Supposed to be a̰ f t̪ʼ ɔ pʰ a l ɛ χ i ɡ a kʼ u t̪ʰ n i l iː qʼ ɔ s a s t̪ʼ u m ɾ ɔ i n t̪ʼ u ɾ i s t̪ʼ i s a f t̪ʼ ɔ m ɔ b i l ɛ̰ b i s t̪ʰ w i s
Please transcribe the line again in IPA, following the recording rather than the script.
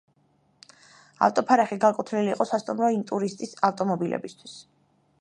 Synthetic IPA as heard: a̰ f t̪ʼ ɔ pʰ a ɾ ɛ χ i ɡ a kʼ u t̪ʰ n i l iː qʼ ɔ s a s t̪ʼ u m ɾ ɔ i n t̪ʼ u ɾ i s t̪ʼ i s a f t̪ʼ ɔ m ɔ b i l ɛ̰ b i s t̪ʰ w i s